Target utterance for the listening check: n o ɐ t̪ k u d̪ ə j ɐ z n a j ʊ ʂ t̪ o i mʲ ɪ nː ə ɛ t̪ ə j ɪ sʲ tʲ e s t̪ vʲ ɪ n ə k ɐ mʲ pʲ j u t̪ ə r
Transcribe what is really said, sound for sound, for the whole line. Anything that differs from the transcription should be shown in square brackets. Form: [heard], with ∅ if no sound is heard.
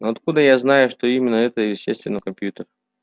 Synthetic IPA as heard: n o ɐ t̪ k u d̪ ə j [a] z n a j ʊ ʂ t̪ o i mʲ ɪ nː ə ɛ t̪ ə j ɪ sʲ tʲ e s t̪ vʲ ɪ n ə k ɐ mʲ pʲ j u t̪ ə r